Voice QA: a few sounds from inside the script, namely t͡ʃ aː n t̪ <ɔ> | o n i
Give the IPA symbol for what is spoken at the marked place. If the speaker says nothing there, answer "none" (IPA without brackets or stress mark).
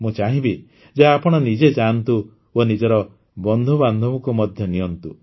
u